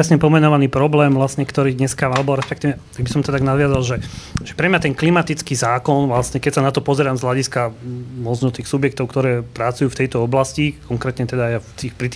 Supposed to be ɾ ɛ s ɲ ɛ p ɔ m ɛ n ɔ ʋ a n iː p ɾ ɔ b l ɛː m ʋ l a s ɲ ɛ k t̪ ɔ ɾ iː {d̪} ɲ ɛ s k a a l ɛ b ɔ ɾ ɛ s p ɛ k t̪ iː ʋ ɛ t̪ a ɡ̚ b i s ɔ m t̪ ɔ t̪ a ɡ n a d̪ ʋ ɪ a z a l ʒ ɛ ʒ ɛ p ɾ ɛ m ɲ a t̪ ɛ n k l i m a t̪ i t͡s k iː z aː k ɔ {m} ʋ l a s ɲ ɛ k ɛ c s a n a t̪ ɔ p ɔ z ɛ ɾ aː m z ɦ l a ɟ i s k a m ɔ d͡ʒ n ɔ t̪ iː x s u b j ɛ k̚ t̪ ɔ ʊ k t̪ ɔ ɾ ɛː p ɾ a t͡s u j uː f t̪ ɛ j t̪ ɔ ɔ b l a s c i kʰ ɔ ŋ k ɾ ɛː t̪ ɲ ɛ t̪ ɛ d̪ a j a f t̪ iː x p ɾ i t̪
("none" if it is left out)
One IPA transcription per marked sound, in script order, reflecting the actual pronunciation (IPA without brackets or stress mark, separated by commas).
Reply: d̪, n